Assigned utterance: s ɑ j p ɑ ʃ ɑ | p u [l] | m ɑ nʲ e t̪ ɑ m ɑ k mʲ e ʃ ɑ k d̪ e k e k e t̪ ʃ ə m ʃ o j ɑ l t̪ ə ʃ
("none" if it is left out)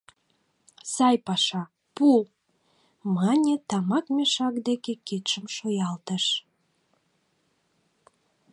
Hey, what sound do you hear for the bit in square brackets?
l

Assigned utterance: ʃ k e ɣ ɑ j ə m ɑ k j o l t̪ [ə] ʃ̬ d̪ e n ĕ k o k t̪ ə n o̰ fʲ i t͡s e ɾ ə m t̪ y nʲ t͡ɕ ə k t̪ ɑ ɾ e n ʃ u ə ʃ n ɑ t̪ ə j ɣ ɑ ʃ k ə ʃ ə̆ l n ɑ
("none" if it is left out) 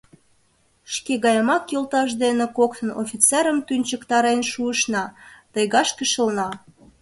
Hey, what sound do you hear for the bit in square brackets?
ɑ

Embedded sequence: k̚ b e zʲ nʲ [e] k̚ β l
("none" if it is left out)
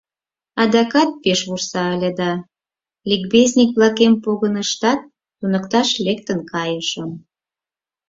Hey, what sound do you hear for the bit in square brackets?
i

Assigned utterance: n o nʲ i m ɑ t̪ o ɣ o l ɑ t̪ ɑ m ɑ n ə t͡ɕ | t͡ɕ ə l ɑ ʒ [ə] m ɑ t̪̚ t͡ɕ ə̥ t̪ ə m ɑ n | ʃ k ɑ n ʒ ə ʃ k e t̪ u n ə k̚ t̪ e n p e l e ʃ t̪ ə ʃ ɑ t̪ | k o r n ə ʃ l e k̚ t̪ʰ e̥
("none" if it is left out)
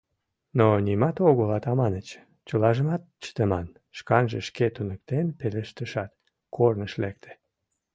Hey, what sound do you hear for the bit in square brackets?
ə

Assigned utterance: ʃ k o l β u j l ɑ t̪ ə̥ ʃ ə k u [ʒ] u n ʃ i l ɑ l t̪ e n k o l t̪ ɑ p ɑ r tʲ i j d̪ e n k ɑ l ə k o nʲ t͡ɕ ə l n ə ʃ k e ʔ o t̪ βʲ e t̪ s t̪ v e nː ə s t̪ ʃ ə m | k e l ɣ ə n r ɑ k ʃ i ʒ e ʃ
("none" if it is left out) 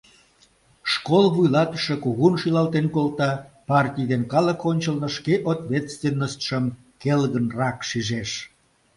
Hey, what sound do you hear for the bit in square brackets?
ɣ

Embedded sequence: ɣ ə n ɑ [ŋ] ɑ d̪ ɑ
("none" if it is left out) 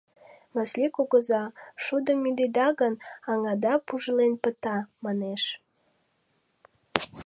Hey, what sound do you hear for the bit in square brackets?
ŋ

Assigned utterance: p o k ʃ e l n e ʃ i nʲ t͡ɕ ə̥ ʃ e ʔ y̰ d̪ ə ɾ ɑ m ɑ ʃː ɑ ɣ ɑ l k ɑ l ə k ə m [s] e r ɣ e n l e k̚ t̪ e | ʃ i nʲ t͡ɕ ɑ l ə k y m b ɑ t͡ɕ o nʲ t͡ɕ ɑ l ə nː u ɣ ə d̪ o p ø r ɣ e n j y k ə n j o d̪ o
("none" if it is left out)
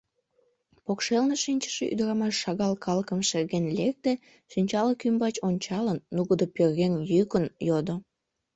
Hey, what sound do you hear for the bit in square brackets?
ʃ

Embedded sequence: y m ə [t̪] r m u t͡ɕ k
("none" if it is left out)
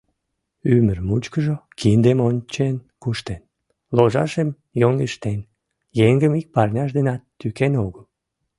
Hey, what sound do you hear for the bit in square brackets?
none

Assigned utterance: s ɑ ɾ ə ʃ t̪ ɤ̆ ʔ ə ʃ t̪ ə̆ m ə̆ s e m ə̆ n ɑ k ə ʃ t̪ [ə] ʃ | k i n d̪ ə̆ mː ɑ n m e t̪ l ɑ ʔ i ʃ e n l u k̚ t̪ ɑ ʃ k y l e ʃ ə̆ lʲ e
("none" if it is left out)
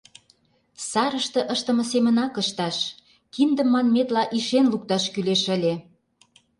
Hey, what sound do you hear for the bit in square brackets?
ɑ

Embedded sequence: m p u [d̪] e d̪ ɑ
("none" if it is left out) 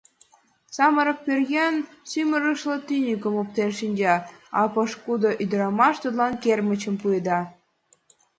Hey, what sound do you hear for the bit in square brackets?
none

